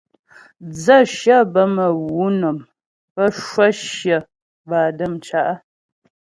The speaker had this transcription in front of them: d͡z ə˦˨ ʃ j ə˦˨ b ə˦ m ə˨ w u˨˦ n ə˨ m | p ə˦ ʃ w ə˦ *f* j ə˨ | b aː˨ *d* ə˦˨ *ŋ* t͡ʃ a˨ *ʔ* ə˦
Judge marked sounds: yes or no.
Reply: no, yes, no, yes

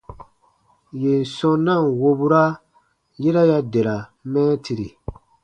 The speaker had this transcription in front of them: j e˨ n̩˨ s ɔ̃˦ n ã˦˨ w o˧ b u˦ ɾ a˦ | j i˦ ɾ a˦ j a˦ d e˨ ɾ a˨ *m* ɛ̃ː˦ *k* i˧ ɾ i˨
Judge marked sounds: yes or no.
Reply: yes, no

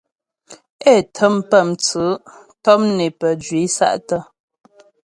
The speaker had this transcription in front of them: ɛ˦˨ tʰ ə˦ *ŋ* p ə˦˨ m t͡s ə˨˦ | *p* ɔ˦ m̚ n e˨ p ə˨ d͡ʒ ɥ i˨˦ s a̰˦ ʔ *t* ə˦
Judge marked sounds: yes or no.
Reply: no, no, yes

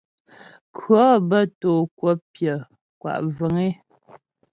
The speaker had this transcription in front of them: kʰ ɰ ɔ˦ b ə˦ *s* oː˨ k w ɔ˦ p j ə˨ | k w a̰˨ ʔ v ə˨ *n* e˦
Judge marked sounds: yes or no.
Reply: no, no

